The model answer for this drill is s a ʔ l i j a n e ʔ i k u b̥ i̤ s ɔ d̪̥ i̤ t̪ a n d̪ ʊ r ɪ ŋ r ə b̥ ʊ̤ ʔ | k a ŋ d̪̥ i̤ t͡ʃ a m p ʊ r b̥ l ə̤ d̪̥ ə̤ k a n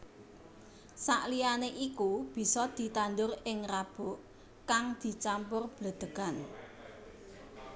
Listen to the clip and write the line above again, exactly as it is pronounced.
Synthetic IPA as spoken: s a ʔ l i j a n e ʔ i k u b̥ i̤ s ɔ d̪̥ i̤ t̪ a n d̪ ʊ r ɪ ŋ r a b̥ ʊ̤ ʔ | k a ŋ d̪̥ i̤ t͡ʃ a m p ʊ r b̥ l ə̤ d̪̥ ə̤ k a n